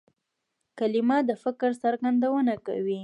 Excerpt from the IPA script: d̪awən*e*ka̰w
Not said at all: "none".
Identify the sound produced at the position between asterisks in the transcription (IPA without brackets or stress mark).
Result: a